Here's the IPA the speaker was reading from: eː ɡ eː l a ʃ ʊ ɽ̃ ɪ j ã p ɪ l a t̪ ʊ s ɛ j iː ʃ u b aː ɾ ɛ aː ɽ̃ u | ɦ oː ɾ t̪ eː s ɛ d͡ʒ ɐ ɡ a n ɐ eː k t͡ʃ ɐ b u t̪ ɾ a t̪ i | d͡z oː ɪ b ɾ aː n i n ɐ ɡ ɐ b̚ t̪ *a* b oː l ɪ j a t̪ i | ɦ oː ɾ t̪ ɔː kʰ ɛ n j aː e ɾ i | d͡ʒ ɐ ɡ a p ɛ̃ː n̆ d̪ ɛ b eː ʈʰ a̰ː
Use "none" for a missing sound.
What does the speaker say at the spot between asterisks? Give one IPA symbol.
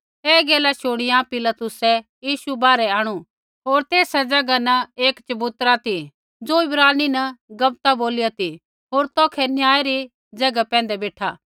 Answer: a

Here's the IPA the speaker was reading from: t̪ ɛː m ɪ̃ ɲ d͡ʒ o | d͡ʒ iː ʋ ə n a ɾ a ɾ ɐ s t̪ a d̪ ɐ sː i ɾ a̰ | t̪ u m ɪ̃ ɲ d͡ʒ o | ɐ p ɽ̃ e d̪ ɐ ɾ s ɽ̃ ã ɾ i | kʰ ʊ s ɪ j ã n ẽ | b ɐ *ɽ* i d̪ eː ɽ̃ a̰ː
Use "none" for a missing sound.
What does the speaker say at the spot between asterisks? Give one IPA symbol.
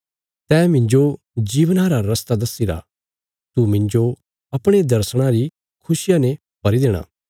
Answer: ɾ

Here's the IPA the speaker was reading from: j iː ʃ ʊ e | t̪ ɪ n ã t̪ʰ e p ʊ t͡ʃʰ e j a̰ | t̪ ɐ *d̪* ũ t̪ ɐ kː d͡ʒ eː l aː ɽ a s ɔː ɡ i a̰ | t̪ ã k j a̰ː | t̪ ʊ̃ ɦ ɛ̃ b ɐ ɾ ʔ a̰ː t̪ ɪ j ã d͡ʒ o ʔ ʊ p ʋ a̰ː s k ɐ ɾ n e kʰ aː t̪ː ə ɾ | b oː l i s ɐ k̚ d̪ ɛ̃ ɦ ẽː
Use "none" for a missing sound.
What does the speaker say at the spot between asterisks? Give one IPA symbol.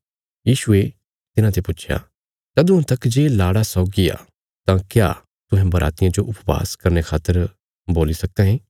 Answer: d̪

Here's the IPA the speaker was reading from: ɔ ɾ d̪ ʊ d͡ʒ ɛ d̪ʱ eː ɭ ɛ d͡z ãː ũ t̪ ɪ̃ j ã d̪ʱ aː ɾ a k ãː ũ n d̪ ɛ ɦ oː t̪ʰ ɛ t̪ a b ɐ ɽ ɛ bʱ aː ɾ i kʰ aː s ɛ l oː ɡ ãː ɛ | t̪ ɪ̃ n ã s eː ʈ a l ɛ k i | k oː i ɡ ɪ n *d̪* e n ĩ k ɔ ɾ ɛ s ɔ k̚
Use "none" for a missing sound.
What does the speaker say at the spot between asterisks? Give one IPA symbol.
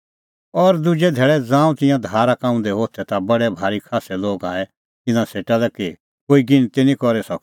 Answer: t̪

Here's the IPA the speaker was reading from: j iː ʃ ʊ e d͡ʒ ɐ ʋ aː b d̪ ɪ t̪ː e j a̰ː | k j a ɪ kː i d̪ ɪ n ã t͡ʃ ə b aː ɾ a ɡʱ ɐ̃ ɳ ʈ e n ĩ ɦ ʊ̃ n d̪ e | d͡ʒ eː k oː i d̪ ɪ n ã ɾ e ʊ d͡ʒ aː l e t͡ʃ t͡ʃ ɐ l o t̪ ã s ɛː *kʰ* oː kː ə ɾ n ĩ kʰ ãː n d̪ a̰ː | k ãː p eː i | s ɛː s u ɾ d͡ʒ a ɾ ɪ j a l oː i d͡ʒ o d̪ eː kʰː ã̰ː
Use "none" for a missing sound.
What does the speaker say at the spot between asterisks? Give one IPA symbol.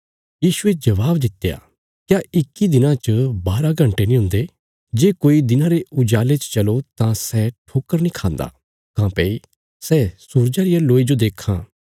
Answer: ʈʰ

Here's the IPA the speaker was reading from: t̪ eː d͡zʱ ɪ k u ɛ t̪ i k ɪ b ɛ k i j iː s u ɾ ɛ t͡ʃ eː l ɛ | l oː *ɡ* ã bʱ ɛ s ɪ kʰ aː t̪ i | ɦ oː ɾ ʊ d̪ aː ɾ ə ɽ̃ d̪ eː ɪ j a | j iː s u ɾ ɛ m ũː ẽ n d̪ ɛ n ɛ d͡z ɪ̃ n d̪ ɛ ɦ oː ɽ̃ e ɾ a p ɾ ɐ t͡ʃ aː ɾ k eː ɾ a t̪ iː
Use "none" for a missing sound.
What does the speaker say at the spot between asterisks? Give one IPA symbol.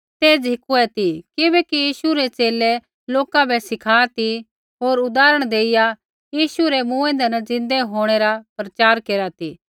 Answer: k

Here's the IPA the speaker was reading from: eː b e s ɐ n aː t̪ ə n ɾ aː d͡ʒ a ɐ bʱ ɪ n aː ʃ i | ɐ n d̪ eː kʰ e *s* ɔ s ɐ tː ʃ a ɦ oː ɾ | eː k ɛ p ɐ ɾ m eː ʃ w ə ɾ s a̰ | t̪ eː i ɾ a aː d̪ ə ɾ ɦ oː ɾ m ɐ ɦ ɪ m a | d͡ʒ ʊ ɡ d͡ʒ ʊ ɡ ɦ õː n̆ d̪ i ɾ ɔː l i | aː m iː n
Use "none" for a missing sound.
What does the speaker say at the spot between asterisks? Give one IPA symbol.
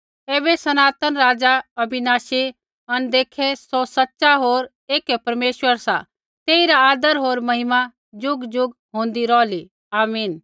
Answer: s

